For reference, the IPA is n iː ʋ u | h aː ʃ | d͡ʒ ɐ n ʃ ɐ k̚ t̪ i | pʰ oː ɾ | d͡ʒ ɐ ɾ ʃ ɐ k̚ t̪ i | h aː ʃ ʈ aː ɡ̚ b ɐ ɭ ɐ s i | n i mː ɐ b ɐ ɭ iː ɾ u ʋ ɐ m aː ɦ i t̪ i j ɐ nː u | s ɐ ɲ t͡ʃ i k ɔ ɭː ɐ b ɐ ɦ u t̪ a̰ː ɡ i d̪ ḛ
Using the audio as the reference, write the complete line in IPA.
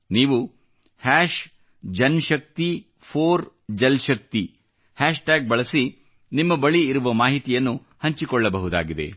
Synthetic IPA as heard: n iː ʋ u | h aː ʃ | d͡ʒ ɐ n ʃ ɐ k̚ t̪ i | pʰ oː ɾ | d͡ʒ ɐ l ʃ ɐ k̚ t̪ i | h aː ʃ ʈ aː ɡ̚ b ɐ ɭ ɐ s i | n i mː ɐ b ɐ ɭ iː ɾ u ʋ ɐ m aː ɦ i t̪ i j ɐ nː u | h ɐ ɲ t͡ʃ i k ɔ ɭː ɐ b ɐ ɦ u d̪ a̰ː ɡ i d̪ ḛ

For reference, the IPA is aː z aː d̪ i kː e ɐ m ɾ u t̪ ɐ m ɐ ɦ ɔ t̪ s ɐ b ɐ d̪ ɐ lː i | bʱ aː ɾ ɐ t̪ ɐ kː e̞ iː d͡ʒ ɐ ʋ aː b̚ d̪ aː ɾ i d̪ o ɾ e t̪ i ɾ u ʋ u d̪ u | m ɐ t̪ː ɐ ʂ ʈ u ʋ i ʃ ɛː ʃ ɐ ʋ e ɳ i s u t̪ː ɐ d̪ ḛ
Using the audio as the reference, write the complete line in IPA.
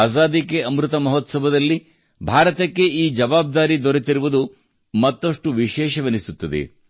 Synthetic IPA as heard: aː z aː d̪ i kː e ɐ m ɾ u t̪ ɐ m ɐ ɦ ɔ t̪ s ɐ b ɐ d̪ ɐ lː i | bʱ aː ɾ ɐ t̪ ɐ kː e̞ iː d͡ʒ ɐ ʋ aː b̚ d̪ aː ɾ i d̪ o ɾ e t̪ i ɾ u ʋ u d̪ u | m ɐ t̪ː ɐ ʂ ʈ u ʋ i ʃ ɛː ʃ ɐ ʋ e n i s u t̪ː ɐ d̪ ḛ

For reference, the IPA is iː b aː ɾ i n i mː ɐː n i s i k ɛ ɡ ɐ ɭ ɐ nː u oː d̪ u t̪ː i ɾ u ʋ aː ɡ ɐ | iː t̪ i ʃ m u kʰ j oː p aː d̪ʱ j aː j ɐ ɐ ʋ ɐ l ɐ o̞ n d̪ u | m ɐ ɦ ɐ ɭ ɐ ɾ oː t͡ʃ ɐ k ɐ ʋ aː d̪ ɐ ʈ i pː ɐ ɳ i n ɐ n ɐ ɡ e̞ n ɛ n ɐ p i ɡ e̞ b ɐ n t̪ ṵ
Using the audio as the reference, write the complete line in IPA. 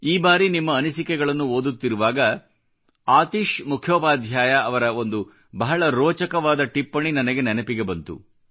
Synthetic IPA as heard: iː b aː ɾ i n i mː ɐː n i s i k ɛ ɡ ɐ ɭ ɐ nː u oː d̪ u t̪ː i ɾ u ʋ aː ɡ ɐ | aː t̪ i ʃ m u kʰ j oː p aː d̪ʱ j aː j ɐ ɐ ʋ ɐ ɾ ɐ o̞ n d̪ u | b ɐ ɦ ɐ ɭ ɐ ɾ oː t͡ʃ ɐ k ɐ ʋ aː d̪ ɐ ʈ i pː ɐ ɳ i n ɐ n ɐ ɡ e̞ n ɛ n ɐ p i ɡ e̞ b ɐ n t̪ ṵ

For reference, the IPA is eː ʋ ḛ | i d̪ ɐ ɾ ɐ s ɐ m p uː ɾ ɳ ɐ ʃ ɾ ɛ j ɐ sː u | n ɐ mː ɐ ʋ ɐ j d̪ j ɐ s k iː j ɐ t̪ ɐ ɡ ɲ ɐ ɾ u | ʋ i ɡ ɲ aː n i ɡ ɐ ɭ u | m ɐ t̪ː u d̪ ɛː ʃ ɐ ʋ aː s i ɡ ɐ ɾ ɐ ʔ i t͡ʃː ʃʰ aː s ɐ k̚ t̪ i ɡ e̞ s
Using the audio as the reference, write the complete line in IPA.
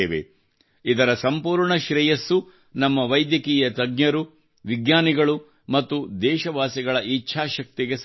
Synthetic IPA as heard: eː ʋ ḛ | i d̪ ɐ ɾ ɐ s ɐ m p uː ɾ ɳ ɐ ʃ ɾ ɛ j ɐ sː u | n ɐ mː ɐ ʋ ɐ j d̪ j ɐ k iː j ɐ t̪ ɐ ɡ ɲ ɐ ɾ u | ʋ i ɡ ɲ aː n i ɡ ɐ ɭ u | m ɐ t̪ː u d̪ ɛː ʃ ɐ ʋ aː s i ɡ ɐ ɭ ɐ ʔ i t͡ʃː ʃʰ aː ʃ ɐ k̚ t̪ i ɡ e̞ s

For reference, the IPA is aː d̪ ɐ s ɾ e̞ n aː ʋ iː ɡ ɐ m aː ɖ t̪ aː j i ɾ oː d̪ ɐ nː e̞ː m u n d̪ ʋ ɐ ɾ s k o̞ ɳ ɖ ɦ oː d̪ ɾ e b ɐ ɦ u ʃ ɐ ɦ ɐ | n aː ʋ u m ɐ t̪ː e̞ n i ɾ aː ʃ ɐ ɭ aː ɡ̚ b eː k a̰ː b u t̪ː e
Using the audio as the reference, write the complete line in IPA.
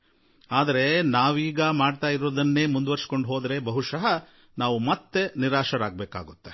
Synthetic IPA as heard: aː d̪ ɐ ɾ e̞ n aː ʋ iː ɡ ɐ m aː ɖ t̪ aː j i ɾ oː d̪ ɐ nː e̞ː m u n d̪ ʋ ɐ ɾ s k o̞ ɳ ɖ ɦ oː d̪ ɾ e b ɐ ɦ u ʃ ɐ ɦ ɐ | n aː ʋ u m ɐ t̪ː e̞ n i ɾ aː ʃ ɐ ɾ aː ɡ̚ b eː k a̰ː ɡ u t̪ː e

